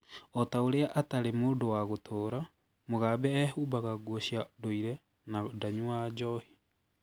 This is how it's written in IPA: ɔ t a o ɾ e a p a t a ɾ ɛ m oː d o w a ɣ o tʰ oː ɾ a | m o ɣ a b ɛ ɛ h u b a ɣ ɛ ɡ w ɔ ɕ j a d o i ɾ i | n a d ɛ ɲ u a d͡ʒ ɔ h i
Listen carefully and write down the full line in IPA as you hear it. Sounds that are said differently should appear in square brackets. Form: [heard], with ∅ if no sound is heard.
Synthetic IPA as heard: ɔ t a o ɾ e a [ʔ] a t a ɾ [e] m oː d o w a ɣ o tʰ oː ɾ a | m o ɣ a b ɛ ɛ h u b a ɣ [a] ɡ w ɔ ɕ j a d o i ɾ [ɛ] | n a d [a] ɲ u a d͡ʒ ɔ h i